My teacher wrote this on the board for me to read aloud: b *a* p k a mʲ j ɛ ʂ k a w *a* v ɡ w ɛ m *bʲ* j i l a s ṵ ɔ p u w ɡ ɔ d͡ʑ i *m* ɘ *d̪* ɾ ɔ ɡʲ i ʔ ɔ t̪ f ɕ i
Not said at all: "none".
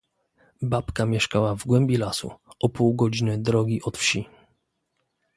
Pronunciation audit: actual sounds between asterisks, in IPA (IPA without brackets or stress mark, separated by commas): a, a, bʲ, n, d̪